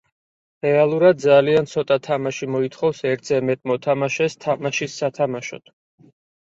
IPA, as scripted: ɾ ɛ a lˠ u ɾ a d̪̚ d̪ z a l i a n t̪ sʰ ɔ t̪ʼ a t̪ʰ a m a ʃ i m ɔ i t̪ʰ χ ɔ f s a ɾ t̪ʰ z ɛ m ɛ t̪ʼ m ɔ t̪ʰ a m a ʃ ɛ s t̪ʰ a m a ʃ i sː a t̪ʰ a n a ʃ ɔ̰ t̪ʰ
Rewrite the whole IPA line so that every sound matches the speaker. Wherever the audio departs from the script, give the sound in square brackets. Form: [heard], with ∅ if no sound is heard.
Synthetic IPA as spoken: ɾ ɛ a lˠ u ɾ a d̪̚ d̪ z a l i a n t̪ sʰ ɔ t̪ʼ a t̪ʰ a m a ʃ i m ɔ i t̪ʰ χ ɔ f s [ɛ] ɾ t̪ʰ z ɛ m ɛ t̪ʼ m ɔ t̪ʰ a m a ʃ ɛ s t̪ʰ a m a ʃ i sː a t̪ʰ a [m] a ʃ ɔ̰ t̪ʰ

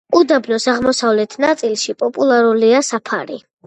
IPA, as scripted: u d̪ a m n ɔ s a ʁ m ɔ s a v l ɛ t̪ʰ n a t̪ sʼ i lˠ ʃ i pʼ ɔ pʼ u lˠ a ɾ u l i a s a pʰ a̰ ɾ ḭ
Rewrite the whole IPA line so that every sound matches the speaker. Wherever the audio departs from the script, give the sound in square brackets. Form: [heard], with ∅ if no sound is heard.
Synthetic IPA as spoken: u d̪ a [b] n ɔ s a ʁ m ɔ s a v l ɛ t̪ʰ n a t̪ sʼ i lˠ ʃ i pʼ ɔ pʼ u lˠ a ɾ u l i a s a pʰ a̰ ɾ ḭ

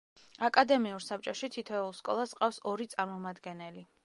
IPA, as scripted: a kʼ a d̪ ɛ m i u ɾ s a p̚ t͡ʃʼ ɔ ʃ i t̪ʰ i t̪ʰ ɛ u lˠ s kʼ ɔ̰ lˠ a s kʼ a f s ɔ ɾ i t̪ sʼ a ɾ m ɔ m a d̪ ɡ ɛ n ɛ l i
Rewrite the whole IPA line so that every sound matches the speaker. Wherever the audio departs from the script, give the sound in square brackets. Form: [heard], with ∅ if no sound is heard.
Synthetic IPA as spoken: a kʼ a d̪ ɛ m i u ɾ s a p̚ t͡ʃʼ ɔ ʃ i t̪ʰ i t̪ʰ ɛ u lˠ s kʼ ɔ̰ lˠ a s [qʼ] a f s ɔ ɾ i t̪ sʼ a ɾ m ɔ m a d̪ ɡ ɛ n ɛ l i

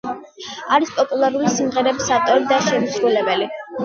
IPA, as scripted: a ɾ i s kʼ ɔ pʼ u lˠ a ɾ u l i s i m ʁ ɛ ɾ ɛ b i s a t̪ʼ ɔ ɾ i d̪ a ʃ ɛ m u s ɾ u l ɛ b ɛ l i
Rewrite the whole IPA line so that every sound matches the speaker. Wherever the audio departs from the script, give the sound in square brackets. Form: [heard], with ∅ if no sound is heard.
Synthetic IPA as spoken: a ɾ i s [pʼ] ɔ pʼ u lˠ a ɾ u l i s i m ʁ ɛ ɾ ɛ b i s a t̪ʼ ɔ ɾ i d̪ a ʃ ɛ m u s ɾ u l ɛ b ɛ l i

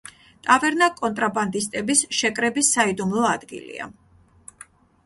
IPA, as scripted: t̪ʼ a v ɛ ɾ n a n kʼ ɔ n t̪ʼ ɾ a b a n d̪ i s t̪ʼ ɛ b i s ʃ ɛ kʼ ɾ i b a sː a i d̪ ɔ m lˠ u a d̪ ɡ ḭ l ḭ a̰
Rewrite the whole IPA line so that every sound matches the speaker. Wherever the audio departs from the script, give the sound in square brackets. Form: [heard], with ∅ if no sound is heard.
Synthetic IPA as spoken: t̪ʼ a v ɛ ɾ n a [∅] kʼ ɔ n t̪ʼ ɾ a b a n d̪ i s t̪ʼ ɛ b i s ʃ ɛ kʼ ɾ [ɛ] b [i] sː a i d̪ [u] m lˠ [ɔ] a d̪ ɡ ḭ l ḭ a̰

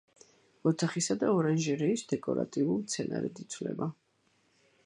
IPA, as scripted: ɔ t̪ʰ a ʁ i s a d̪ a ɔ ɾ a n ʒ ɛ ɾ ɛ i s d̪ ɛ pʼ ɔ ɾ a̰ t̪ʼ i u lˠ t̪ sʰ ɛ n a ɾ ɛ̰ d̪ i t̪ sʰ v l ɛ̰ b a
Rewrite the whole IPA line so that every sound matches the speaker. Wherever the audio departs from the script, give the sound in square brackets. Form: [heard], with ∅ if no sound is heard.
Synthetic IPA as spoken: ɔ t̪ʰ a [χ] i s a d̪ a ɔ ɾ a n ʒ ɛ ɾ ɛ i s d̪ ɛ [kʼ] ɔ ɾ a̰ t̪ʼ i u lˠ t̪ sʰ ɛ n a ɾ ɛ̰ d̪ i t̪ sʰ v l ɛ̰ b a

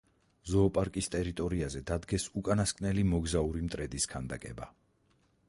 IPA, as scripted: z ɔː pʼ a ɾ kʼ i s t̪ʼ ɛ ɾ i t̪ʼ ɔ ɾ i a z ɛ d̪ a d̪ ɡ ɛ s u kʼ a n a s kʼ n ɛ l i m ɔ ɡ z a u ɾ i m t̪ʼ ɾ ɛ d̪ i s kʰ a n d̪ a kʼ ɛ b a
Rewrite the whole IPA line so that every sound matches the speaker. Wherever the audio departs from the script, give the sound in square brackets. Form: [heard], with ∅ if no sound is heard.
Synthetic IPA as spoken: z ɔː pʼ a ɾ kʼ i s t̪ʼ ɛ ɾ i t̪ʼ ɔ ɾ i a z ɛ d̪ a d̪ ɡ ɛ s u kʼ a n a s kʼ n ɛ l i m ɔ ɡ z a u ɾ i m t̪ʼ ɾ ɛ d̪ i s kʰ a n d̪ a kʼ ɛ b a

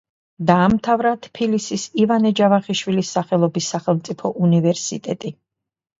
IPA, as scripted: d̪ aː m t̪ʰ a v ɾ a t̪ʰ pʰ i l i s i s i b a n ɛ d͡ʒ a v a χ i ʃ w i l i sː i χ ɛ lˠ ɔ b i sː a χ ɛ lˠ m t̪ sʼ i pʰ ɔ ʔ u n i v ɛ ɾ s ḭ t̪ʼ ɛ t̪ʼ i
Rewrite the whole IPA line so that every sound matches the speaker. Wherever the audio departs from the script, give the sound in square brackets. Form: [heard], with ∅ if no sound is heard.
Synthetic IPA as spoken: d̪ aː m t̪ʰ a v ɾ a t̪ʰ pʰ i l i s i s i [v] a n ɛ d͡ʒ a v a χ i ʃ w i l i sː [a] χ ɛ lˠ ɔ b i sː a χ ɛ lˠ m t̪ sʼ i pʰ ɔ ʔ u n i v ɛ ɾ s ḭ t̪ʼ ɛ t̪ʼ i

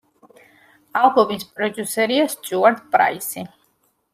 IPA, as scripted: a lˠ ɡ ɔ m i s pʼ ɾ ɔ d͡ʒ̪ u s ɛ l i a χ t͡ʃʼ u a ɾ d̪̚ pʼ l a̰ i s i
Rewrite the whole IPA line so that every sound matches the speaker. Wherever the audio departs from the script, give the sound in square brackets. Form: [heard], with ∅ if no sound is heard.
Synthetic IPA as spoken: a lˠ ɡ ɔ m i s pʼ ɾ ɔ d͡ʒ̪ u s ɛ [ɾ] i a [s] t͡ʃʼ u a ɾ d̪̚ pʼ [ɾ] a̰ i s i

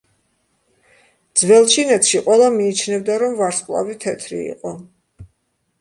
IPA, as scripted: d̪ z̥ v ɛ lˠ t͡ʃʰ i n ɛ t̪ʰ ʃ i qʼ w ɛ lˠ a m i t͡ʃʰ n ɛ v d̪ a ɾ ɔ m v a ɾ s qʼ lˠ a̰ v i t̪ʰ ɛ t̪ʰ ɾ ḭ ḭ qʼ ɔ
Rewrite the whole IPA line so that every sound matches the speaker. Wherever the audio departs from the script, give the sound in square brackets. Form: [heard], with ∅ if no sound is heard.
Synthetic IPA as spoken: d̪ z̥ v ɛ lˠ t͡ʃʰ i n ɛ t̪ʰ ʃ i qʼ w ɛ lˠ a m [iː] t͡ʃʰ n ɛ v d̪ a ɾ ɔ m v a ɾ s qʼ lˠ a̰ v i t̪ʰ ɛ t̪ʰ ɾ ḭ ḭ qʼ ɔ

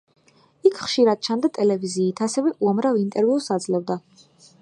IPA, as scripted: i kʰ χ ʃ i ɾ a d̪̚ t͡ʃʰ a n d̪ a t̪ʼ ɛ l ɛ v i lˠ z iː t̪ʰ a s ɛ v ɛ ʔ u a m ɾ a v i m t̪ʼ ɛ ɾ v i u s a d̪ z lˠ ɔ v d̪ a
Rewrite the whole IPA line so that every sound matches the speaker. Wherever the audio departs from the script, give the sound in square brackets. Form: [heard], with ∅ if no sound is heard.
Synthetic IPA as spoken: i kʰ χ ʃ i ɾ a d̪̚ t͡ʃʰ a n d̪ a t̪ʼ ɛ l ɛ v i [∅] z iː t̪ʰ a s ɛ v ɛ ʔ u a m ɾ a v i [n] t̪ʼ ɛ ɾ v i u s a d̪ z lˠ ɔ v d̪ a

